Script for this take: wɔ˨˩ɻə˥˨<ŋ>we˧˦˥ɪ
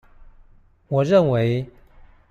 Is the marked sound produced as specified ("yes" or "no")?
no